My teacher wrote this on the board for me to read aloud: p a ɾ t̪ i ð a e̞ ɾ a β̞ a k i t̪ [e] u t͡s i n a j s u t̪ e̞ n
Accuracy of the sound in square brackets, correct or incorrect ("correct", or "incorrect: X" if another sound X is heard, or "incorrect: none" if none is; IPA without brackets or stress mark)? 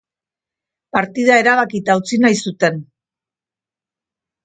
incorrect: a